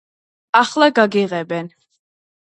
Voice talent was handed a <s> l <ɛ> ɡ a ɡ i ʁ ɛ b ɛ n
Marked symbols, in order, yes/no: no, no

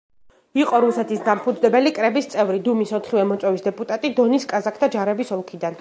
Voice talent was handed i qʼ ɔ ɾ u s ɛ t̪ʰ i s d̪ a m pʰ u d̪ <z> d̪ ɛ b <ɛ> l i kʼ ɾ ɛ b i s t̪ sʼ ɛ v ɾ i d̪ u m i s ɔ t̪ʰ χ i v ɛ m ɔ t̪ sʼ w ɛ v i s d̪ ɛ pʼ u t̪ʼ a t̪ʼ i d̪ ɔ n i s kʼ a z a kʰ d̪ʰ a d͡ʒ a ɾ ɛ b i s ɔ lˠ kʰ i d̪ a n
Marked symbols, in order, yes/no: yes, yes

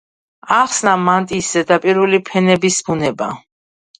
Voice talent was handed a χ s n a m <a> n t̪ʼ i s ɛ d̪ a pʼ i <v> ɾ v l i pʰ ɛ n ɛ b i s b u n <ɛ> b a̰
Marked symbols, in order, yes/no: yes, no, yes

